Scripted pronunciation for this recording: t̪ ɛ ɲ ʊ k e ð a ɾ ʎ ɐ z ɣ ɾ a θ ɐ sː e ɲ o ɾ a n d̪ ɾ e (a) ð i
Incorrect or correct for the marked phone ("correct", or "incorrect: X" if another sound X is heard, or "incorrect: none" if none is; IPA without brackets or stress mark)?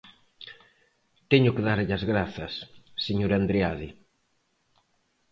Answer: correct